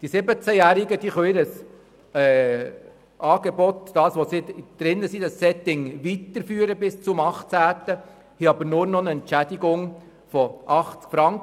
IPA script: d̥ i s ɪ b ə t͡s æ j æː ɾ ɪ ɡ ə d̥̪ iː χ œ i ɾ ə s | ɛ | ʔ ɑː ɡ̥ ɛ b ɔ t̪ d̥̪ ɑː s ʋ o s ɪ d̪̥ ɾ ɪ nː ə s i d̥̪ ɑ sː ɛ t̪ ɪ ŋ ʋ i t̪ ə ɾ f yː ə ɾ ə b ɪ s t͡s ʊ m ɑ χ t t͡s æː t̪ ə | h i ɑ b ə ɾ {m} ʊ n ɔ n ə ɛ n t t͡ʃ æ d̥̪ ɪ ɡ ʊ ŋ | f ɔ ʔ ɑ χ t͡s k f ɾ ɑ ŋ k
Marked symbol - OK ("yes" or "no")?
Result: no